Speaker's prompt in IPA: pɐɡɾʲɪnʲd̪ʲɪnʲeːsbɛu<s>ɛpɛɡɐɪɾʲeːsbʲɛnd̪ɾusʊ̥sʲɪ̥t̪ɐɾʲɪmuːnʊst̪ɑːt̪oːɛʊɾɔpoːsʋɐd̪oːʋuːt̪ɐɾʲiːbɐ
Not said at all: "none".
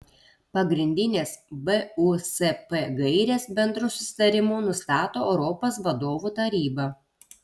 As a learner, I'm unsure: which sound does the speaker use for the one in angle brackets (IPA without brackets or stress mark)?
s